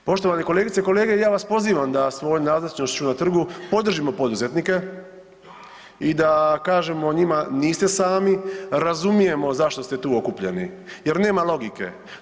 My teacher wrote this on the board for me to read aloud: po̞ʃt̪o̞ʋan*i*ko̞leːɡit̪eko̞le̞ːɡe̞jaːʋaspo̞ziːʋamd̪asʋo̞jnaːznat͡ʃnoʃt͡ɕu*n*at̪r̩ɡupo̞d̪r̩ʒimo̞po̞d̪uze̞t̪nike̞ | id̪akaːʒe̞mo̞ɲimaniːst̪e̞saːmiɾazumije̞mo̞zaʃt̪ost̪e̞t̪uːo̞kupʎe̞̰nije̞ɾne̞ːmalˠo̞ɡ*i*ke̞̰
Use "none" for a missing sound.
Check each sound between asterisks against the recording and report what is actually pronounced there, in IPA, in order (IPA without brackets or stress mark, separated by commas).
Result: e, n, i